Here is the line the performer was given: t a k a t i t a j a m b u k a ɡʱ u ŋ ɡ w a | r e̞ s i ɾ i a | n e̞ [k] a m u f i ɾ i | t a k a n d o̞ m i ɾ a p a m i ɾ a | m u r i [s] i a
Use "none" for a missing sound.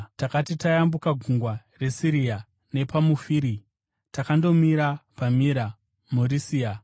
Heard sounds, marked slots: p, s

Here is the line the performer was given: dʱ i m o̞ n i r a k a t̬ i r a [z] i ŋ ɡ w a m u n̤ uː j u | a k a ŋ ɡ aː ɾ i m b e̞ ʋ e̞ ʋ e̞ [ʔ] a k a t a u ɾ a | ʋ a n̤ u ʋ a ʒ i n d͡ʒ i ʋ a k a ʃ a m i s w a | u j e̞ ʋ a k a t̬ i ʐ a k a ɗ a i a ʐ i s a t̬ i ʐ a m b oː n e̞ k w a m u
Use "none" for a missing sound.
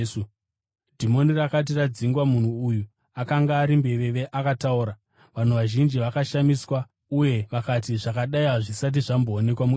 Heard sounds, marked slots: d͡z, ʔ

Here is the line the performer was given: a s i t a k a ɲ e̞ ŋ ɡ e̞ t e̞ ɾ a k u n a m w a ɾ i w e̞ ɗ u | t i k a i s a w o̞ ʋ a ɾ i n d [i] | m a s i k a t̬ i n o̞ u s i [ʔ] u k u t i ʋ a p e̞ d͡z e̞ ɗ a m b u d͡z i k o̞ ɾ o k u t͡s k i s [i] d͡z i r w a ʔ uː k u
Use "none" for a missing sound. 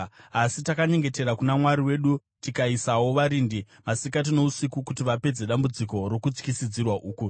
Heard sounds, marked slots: i, k, i

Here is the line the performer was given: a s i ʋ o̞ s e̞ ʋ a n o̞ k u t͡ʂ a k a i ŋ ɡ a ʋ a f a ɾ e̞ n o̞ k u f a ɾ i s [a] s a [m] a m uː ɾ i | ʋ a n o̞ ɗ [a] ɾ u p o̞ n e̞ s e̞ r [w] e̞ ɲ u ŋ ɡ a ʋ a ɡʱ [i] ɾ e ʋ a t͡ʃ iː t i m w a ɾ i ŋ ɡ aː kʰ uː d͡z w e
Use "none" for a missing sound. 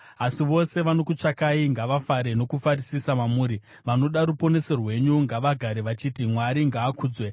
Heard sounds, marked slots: i, m, a, w, a

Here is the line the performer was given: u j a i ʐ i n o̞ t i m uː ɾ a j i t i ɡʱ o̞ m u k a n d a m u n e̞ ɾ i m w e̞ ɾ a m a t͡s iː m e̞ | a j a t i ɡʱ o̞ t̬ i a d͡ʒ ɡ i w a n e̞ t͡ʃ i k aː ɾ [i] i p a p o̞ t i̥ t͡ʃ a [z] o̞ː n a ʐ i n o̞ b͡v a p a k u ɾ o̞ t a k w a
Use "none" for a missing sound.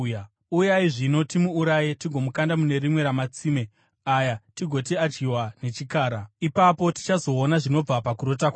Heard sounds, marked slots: a, z

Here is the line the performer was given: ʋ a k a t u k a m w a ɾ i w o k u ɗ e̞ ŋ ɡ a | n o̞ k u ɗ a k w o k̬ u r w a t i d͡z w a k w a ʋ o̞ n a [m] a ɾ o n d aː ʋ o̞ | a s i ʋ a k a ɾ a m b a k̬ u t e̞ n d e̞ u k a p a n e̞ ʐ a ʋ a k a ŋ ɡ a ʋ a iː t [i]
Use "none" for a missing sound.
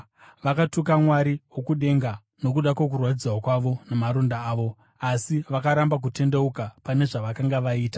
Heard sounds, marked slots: m, a

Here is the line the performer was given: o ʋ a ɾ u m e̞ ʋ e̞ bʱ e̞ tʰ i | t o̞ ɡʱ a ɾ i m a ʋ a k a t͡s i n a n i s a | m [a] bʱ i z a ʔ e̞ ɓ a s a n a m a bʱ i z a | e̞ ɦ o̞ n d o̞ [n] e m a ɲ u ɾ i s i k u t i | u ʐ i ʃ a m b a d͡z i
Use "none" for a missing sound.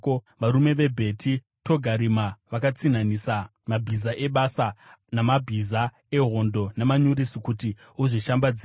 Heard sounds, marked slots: a, n

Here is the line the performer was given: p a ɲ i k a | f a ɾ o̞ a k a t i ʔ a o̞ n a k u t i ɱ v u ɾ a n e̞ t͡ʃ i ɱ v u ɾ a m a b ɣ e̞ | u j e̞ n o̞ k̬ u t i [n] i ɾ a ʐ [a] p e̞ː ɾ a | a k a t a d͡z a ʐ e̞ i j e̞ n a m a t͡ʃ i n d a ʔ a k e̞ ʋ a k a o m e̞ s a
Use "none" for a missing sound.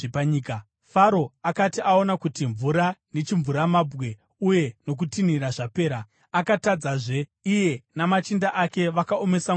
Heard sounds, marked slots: n, a

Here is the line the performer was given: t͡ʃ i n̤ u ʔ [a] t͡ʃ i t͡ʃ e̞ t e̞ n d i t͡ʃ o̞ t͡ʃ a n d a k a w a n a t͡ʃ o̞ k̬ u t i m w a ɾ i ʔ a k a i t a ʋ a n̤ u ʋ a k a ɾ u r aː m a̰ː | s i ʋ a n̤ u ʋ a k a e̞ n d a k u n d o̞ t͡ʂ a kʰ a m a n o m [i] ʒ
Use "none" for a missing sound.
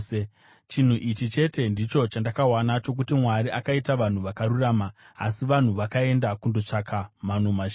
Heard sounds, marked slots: i, a

